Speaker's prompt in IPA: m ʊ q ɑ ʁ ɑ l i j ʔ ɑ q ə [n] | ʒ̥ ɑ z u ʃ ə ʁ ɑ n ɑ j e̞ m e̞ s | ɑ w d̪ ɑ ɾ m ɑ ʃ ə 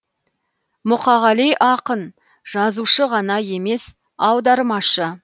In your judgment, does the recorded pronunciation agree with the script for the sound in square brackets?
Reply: yes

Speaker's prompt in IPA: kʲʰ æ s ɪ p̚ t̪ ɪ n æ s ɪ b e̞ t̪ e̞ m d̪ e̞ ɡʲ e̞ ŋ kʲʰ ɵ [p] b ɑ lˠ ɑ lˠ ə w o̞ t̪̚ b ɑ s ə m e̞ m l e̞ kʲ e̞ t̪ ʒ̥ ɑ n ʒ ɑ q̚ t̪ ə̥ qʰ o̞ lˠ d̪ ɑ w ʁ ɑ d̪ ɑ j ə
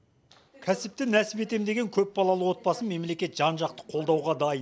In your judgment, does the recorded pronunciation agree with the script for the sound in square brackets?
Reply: yes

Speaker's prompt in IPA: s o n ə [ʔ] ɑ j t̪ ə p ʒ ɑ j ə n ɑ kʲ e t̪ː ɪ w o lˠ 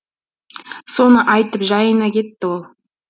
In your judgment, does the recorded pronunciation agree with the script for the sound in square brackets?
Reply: yes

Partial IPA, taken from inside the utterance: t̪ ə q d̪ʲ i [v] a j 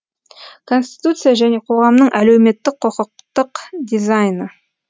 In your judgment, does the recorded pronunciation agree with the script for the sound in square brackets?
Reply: no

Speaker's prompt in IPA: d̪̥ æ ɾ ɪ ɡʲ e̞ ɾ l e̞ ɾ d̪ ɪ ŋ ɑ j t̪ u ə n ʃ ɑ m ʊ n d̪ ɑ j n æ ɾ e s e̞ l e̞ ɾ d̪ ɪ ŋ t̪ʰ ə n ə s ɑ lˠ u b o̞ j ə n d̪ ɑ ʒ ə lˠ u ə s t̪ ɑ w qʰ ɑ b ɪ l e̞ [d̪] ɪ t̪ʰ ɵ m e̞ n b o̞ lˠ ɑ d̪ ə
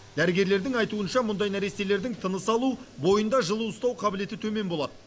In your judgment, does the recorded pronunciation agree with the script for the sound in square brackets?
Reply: no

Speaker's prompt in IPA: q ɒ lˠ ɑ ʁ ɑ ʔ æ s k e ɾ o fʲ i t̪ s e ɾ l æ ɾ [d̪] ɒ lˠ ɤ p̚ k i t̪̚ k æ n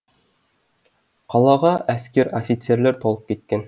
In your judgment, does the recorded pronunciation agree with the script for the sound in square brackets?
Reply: no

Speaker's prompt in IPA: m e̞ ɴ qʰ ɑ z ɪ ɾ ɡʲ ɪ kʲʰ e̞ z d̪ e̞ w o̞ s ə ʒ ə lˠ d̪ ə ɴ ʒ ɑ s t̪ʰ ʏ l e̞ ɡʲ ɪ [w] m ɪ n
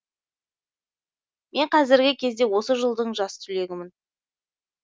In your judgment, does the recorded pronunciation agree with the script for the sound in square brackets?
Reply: no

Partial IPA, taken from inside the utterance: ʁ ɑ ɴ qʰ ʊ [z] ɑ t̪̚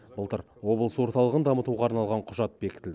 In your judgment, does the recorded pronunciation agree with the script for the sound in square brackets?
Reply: no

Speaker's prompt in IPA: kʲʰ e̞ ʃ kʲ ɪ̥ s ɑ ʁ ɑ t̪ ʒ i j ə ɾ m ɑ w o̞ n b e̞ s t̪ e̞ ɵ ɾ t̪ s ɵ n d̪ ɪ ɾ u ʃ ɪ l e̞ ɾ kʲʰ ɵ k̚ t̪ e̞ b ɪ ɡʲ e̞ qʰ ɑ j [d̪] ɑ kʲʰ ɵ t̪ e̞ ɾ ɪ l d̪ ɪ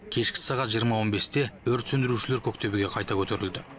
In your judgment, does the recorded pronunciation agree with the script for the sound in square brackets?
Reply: no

